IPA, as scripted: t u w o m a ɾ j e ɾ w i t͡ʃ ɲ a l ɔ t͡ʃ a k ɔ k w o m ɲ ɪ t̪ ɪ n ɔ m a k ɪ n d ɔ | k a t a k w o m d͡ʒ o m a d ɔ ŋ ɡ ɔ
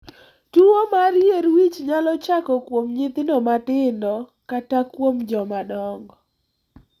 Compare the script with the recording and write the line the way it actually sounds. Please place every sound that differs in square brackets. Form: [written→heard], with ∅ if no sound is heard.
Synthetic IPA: t u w o m a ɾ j e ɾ w i t͡ʃ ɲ a l ɔ t͡ʃ a k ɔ k w o m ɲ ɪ t̪ ɪ n ɔ m a [k→t] ɪ n d ɔ | k a t a k w o m d͡ʒ [o→ɔ] m a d ɔ ŋ ɡ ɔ